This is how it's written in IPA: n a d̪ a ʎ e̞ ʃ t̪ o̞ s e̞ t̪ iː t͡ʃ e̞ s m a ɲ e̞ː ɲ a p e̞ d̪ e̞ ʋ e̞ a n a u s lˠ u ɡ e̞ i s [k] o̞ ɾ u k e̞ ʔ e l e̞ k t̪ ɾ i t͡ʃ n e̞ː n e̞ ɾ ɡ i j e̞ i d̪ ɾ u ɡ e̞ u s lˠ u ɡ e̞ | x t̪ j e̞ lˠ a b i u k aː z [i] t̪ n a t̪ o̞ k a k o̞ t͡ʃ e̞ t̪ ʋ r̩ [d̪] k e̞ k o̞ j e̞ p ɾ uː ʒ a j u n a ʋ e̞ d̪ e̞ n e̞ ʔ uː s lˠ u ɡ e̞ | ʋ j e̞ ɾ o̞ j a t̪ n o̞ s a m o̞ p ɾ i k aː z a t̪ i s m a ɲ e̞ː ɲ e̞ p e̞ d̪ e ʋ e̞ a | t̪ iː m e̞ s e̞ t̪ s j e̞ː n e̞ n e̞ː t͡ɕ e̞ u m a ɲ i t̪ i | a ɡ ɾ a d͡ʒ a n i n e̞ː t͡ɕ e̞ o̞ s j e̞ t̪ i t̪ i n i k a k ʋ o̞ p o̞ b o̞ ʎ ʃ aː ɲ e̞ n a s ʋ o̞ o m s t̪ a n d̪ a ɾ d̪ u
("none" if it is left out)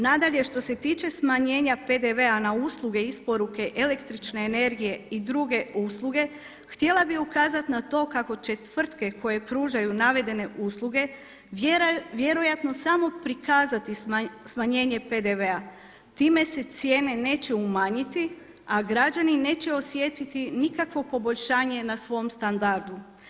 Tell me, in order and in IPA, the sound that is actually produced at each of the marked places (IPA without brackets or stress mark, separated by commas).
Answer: p, a, t̪